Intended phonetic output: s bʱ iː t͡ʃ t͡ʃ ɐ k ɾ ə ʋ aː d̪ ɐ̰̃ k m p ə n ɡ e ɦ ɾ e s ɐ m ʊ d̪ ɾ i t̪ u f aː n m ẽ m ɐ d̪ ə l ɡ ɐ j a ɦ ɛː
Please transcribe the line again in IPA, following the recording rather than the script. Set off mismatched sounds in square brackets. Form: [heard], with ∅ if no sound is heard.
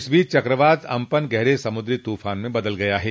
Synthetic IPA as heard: s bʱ iː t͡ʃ t͡ʃ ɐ k ɾ ə ʋ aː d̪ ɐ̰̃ [∅] m p ə n ɡ [ɛ] ɦ ɾ e s ɐ m ʊ d̪ ɾ i t̪ [uː] f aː n m ẽ [b] ɐ d̪ ə l ɡ ɐ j a ɦ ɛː

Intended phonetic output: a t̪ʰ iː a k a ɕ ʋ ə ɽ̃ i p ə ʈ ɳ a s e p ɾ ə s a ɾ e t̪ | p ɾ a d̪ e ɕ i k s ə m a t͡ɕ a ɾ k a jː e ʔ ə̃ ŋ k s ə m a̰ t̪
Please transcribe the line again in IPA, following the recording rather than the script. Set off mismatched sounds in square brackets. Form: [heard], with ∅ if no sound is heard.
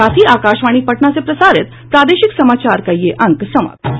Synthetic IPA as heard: a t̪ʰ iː a k a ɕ ʋ [a] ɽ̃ i p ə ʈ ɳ a s e p ɾ ə s a ɾ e t̪ | p ɾ a d̪ e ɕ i k s ə m a t͡ɕ a ɾ k a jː e ʔ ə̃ ŋ k s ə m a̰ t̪

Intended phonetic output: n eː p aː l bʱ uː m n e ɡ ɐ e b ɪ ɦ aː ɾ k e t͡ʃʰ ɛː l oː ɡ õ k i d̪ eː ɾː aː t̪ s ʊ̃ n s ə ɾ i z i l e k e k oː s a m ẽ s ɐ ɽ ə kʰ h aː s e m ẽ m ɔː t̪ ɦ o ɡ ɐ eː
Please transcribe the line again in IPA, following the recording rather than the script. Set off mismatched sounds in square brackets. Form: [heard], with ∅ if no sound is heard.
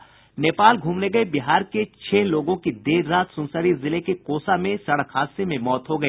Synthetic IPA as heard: n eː p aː l [ɡʱ] uː m n e ɡ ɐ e b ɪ ɦ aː ɾ k e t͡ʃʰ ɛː l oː ɡ õ k i d̪ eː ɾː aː t̪ s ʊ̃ n s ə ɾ i z [ɪ] l e k e k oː s a m ẽ s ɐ ɽ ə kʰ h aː s e m ẽ m ɔː t̪ ɦ o ɡ ɐ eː

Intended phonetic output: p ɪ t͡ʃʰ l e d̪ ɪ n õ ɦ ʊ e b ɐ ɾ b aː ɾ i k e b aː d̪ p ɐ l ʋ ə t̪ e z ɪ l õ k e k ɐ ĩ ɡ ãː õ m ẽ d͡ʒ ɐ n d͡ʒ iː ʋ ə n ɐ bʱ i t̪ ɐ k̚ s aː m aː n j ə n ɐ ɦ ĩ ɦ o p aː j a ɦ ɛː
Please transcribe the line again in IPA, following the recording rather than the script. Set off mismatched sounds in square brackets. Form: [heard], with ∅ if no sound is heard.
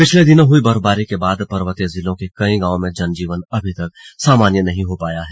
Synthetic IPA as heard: p ɪ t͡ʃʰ l e d̪ ɪ n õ ɦ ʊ [i] b ɐ ɾ b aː ɾ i k e b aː d̪ p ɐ [ɾ] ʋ ə t̪ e z ɪ l õ k e k ɐ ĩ ɡ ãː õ m ẽ d͡ʒ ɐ n d͡ʒ iː ʋ ə n ɐ bʱ i t̪ ɐ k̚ s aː m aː n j ə n ɐ ɦ ĩ ɦ o p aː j a ɦ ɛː

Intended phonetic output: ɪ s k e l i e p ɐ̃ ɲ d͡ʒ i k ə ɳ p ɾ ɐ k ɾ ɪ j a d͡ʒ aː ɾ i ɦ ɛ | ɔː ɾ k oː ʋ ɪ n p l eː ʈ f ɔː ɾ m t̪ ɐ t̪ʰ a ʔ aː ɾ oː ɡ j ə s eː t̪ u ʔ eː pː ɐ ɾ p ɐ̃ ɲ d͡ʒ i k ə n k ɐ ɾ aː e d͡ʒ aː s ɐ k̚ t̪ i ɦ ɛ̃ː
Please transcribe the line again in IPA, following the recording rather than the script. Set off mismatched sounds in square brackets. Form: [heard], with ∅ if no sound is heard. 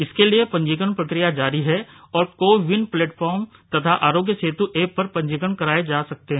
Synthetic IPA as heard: ɪ s k e l i e p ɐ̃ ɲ d͡ʒ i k ə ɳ p ɾ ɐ k ɾ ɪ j a d͡ʒ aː ɾ i ɦ ɛ | ɔː ɾ k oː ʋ ɪ n p l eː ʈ f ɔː ɾ m t̪ ɐ t̪ʰ a ʔ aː ɾ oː ɡ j ə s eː t̪ u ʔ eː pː ɐ ɾ p ɐ̃ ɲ d͡ʒ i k ə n k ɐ ɾ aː e d͡ʒ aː s ɐ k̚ t̪ [e] ɦ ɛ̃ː

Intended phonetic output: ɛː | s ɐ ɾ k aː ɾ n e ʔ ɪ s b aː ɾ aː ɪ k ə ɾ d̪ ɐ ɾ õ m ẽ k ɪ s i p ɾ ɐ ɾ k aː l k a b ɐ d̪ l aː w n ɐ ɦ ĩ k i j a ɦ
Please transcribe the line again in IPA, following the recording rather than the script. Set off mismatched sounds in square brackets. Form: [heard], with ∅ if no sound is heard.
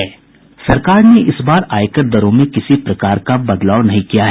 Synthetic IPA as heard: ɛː | s ɐ ɾ k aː ɾ n e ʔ ɪ s b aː ɾ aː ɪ k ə ɾ d̪ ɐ ɾ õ m ẽ k ɪ s i p ɾ ɐ [∅] k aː [ɾ] k a b ɐ d̪ l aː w n ɐ ɦ ĩ k i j a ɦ

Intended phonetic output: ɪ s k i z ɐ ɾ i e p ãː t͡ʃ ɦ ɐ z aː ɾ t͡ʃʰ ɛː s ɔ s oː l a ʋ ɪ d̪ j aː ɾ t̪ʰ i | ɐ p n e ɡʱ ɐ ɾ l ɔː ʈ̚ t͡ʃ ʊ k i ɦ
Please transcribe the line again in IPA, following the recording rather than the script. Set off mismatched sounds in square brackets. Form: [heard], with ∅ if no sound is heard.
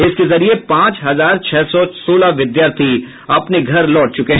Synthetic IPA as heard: ɪ s k [e] z ɐ ɾ i e p ãː t͡ʃ ɦ ɐ z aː ɾ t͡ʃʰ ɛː s ɔ s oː l a ʋ ɪ d̪ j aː ɾ t̪ʰ i | ɐ p n e ɡʱ ɐ ɾ l ɔː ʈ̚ t͡ʃ ʊ k [e] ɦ

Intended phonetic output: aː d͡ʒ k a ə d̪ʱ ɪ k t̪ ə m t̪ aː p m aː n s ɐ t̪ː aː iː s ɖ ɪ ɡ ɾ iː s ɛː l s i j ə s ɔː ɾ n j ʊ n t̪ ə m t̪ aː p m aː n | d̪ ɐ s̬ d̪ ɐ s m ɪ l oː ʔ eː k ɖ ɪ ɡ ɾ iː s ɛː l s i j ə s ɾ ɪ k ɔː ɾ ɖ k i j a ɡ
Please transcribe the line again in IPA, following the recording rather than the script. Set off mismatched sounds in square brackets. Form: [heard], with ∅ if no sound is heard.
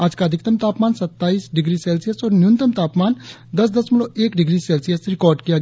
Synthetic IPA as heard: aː d͡ʒ k a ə d̪ʱ ɪ k t̪ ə m t̪ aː p m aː n s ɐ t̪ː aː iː s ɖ ɪ ɡ ɾ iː s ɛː l s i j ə s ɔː ɾ n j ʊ n t̪ ə m t̪ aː p m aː n | d̪ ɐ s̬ d̪ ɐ s m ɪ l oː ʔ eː k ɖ ɪ ɡ ɾ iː s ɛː l s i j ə s ɾ ɪ k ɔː ɾ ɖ k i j a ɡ

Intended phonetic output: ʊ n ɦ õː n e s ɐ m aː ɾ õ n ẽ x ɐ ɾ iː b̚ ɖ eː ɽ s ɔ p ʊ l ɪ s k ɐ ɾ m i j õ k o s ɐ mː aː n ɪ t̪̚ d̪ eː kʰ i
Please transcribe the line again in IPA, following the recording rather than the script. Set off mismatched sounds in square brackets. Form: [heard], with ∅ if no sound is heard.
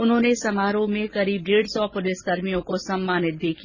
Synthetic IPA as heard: ʊ n ɦ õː n e s ɐ m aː ɾ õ [m] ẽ [k] ɐ ɾ iː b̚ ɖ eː ɽ s ɔ p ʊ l ɪ s k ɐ ɾ m i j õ k o s ɐ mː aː n ɪ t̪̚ d̪ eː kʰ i

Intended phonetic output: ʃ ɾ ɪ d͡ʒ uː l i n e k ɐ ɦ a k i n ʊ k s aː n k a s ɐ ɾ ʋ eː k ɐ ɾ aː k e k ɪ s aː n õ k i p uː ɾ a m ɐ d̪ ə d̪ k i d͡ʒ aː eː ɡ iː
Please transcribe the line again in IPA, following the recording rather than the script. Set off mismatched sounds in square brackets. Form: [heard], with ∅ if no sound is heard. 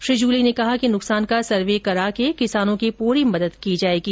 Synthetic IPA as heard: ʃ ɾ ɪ d͡ʒ uː l i n e k ɐ ɦ a k i n ʊ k s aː n k a s ɐ ɾ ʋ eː k ɐ ɾ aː k e k ɪ s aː n õ k i p uː ɾ [i] m ɐ d̪ ə d̪ k i d͡ʒ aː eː ɡ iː

